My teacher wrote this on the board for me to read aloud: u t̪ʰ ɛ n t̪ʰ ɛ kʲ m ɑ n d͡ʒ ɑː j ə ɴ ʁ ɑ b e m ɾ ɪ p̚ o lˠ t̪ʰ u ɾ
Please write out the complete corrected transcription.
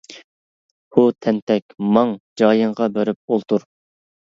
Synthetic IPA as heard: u t̪ʰ ɛ n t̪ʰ ɛ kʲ m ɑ ŋ d͡ʒ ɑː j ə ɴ ʁ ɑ b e ɾ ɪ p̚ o lˠ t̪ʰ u ɾ